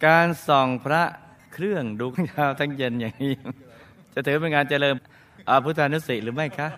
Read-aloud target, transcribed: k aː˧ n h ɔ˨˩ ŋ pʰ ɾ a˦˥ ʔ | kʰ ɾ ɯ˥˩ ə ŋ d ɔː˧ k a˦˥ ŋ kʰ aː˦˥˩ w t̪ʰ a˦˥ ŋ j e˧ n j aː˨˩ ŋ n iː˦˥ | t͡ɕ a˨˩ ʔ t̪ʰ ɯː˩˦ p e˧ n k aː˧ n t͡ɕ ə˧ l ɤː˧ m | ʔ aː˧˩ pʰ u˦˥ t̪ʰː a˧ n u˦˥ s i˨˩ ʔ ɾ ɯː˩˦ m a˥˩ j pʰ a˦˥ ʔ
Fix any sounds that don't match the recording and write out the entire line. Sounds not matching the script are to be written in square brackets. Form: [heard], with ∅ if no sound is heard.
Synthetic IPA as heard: k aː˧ n [s] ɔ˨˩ ŋ pʰ ɾ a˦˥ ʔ | kʰ ɾ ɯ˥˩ ə ŋ d [uː˧] k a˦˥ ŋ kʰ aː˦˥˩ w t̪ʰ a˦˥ ŋ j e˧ n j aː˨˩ ŋ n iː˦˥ | t͡ɕ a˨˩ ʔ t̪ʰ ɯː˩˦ p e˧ n k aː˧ n t͡ɕ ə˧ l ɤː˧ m | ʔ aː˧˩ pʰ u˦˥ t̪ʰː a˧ n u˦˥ s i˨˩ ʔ ɾ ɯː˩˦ m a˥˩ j [kʰ] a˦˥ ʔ